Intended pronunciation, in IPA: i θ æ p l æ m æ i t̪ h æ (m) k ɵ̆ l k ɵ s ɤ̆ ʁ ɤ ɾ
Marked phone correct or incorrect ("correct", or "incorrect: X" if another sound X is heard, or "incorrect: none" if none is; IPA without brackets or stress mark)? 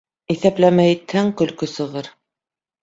incorrect: ŋ